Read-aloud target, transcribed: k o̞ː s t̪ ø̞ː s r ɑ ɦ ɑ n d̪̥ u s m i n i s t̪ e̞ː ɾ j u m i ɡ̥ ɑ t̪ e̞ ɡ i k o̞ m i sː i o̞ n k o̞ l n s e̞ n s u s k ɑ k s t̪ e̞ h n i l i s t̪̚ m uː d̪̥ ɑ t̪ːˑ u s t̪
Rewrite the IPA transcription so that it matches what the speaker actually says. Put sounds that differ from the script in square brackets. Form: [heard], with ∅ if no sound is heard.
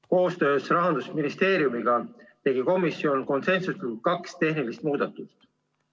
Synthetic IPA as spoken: k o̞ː s t̪ ø̞ː s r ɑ ɦ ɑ n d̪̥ u s m i n i s t̪ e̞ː ɾ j u m i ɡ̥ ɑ t̪ e̞ ɡ i k o̞ m i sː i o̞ n k o̞ [∅] n s e̞ n s u s k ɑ k s t̪ e̞ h n i l i s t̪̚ m uː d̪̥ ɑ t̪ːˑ u s t̪